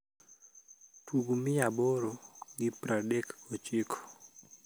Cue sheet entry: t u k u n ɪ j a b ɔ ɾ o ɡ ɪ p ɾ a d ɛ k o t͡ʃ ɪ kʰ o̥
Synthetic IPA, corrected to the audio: t u ɡ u m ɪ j a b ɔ ɾ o ɡ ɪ p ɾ a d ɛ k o t͡ʃ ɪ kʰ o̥